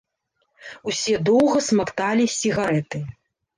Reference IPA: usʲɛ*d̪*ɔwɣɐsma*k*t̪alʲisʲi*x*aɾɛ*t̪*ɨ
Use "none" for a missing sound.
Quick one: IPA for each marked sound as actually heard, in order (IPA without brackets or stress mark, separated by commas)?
d̪, k, ɣ, t̪